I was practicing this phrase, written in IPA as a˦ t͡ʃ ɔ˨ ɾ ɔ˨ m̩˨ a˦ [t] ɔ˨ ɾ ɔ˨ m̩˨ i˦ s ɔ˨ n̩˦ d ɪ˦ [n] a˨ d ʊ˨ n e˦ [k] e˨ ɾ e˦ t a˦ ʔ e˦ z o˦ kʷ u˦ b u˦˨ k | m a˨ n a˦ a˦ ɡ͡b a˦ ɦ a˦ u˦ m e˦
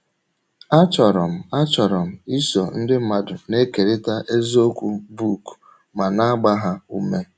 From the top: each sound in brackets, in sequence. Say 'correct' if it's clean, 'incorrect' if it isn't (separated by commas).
incorrect, incorrect, correct